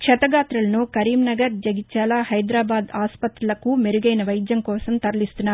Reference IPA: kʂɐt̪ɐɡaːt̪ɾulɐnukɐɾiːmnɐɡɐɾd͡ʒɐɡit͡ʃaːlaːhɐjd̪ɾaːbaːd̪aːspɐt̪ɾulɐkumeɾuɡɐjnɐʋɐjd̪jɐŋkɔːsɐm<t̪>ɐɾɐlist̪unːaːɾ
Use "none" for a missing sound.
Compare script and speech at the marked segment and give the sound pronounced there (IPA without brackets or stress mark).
t̪